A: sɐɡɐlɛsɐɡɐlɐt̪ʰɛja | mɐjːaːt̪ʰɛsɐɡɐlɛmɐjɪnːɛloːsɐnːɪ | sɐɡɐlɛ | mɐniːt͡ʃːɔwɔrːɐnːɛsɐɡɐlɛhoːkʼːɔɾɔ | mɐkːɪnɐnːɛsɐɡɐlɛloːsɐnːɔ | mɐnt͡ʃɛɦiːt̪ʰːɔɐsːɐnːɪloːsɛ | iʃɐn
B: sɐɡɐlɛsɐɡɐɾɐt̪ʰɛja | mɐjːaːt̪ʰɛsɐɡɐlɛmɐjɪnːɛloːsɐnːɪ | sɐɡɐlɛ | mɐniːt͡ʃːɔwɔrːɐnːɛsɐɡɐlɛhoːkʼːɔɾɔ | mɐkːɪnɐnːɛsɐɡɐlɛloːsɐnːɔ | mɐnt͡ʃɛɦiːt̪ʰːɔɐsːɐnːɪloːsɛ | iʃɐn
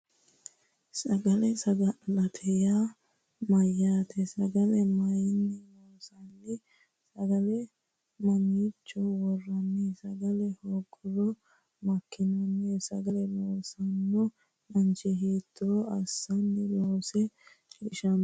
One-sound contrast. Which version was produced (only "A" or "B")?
A